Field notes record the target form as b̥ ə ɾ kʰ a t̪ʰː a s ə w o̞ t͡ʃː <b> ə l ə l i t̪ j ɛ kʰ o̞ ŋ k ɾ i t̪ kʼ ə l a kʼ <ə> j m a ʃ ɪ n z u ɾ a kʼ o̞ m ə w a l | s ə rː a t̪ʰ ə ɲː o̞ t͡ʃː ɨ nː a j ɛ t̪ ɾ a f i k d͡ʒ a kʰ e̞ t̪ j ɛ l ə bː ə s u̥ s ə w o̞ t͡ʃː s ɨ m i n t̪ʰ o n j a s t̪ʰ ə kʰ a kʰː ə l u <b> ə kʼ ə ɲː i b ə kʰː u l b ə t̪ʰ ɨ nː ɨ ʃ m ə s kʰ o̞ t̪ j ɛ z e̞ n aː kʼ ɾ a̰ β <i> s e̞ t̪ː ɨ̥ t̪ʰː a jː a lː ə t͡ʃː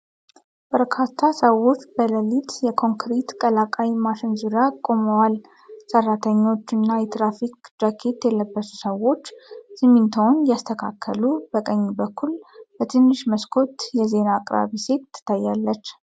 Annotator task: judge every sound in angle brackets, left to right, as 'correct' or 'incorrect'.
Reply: correct, incorrect, correct, correct

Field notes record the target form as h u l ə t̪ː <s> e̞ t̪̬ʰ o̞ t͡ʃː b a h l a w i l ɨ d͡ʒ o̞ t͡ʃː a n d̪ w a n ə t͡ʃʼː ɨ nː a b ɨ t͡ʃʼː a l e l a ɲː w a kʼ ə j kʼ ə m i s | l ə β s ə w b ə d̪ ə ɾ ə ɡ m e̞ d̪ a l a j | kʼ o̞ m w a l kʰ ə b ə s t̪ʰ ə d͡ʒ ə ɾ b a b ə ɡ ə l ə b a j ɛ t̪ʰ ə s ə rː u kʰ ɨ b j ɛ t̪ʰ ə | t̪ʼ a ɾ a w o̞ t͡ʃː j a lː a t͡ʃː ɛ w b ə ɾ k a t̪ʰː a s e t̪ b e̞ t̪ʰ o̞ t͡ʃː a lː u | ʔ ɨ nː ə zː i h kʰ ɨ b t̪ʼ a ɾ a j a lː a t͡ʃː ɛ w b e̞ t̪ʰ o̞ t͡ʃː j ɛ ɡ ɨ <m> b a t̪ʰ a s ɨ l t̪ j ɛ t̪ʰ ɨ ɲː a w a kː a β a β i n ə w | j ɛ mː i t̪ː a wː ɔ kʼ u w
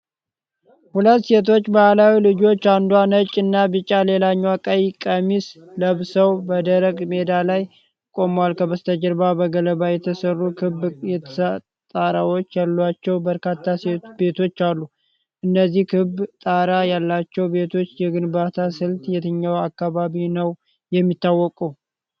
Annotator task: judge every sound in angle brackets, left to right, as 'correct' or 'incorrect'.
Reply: correct, incorrect

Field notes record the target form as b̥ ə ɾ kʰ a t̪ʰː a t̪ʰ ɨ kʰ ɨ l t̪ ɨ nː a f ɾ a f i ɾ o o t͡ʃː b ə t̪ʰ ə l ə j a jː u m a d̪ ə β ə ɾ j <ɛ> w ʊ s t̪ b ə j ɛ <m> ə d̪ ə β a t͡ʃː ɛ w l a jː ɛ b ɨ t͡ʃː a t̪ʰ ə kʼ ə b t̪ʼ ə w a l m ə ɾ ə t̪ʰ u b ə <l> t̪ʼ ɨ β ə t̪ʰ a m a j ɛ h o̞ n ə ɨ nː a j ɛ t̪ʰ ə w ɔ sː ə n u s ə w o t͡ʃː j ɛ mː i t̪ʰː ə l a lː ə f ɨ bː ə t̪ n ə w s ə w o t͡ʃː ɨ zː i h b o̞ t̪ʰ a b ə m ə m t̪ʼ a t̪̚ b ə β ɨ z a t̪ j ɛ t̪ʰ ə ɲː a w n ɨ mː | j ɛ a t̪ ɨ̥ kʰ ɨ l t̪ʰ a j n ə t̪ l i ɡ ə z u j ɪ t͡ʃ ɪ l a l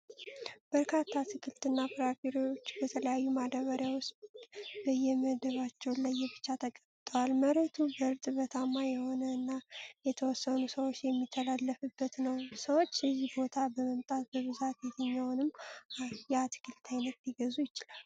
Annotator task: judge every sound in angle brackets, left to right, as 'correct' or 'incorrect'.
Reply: incorrect, correct, incorrect

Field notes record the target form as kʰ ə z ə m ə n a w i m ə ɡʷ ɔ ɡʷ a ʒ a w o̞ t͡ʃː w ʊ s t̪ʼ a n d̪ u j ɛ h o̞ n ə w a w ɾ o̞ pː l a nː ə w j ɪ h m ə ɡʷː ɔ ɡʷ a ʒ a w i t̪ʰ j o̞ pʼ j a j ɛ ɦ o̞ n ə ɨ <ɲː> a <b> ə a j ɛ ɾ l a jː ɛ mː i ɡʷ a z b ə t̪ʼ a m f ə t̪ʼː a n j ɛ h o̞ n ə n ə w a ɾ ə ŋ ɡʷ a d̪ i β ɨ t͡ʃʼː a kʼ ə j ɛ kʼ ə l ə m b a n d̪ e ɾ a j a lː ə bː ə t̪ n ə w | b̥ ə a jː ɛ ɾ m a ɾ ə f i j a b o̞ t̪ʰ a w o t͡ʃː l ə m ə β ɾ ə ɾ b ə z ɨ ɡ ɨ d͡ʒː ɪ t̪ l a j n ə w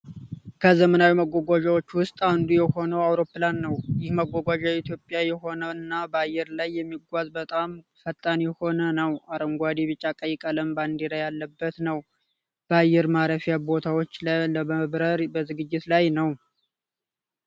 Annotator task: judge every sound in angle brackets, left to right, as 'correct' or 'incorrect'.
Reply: incorrect, correct

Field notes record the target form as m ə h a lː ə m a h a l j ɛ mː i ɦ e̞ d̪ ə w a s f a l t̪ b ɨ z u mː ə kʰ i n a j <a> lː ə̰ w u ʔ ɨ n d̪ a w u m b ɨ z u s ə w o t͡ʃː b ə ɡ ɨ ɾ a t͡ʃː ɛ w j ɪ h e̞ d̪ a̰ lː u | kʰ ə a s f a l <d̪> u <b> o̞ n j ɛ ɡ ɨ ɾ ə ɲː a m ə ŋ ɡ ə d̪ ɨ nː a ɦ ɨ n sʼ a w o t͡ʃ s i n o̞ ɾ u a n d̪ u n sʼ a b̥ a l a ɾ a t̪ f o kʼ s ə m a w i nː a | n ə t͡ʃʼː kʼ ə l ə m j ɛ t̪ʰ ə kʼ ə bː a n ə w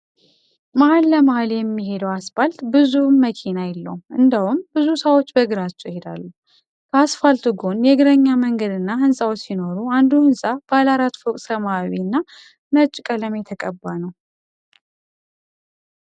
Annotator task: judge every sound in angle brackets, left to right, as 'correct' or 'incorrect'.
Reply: incorrect, incorrect, incorrect

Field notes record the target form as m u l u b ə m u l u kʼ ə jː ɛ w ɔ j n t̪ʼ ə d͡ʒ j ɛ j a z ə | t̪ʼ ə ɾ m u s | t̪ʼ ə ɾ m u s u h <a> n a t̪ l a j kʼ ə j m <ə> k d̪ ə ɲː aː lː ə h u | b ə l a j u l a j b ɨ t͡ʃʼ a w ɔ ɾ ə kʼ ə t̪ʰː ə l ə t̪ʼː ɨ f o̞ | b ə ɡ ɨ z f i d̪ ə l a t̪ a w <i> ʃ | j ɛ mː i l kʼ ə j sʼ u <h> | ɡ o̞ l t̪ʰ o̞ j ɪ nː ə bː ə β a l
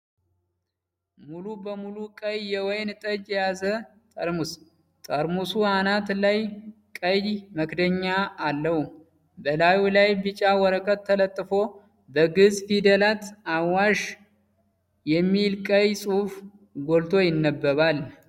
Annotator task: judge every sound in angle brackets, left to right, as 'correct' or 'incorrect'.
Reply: correct, correct, incorrect, incorrect

